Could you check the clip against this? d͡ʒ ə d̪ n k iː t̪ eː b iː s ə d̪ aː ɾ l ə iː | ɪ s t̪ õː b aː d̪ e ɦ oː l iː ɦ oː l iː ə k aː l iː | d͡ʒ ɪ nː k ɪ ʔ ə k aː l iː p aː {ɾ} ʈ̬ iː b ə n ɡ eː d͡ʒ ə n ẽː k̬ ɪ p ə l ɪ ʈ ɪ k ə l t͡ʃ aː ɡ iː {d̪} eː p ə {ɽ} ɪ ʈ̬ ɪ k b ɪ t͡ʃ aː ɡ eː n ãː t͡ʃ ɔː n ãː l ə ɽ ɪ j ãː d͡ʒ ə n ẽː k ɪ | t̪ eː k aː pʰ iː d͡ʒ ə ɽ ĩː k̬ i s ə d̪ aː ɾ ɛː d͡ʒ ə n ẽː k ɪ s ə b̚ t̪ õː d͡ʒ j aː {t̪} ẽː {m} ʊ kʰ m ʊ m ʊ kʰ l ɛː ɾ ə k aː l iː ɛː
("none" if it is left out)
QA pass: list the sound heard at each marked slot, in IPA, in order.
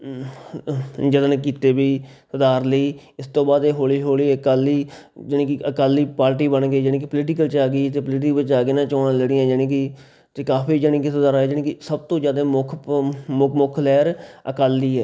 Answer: ɾ, t̪, l, d̪, m

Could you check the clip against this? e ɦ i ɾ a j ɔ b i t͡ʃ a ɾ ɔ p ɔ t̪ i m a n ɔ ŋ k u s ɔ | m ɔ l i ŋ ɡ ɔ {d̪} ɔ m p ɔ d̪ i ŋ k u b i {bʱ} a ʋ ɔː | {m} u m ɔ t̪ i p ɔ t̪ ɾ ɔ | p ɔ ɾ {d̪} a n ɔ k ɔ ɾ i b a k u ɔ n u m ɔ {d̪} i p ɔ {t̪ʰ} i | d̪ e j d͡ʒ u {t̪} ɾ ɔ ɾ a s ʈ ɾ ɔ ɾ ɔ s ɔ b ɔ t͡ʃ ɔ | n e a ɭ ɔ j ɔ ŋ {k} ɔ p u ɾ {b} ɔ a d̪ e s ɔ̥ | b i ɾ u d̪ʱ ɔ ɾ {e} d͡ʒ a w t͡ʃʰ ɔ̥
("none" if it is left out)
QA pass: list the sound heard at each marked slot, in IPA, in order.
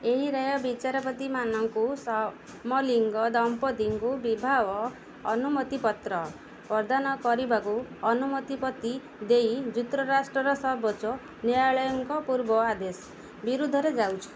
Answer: d̪, bʱ, n, d̪, t̪, t̪, t̪, k, b, e

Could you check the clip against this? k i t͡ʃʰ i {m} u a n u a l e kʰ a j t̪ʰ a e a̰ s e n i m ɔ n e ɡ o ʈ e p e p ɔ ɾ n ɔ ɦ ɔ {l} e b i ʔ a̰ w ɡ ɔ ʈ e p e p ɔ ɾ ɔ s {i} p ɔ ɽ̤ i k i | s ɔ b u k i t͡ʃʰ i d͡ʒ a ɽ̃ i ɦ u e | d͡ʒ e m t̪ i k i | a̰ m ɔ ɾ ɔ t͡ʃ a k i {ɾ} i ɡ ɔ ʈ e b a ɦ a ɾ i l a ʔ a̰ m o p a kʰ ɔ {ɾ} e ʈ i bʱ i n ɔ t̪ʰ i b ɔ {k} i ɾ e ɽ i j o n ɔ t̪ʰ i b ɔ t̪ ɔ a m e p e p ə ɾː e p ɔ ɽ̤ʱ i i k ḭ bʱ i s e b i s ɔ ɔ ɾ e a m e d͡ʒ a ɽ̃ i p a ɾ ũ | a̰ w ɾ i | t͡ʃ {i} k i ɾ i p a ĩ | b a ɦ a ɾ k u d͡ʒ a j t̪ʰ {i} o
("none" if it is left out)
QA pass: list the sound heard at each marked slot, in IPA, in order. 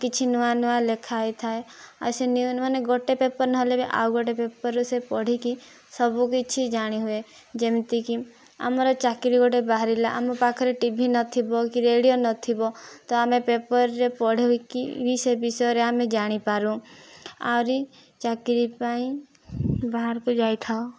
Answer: n, l, e, ɾ, ɾ, k, a, a

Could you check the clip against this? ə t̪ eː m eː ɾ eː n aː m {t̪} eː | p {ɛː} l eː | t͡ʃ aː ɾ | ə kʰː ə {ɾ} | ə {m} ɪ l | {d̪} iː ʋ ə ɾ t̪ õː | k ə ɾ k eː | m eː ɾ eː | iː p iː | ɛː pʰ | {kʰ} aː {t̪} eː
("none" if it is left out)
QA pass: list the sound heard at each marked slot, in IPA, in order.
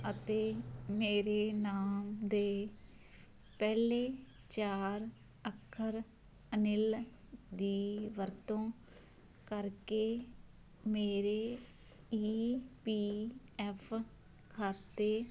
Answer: d̪, ɛː, ɾ, n, d̪, kʰ, t̪

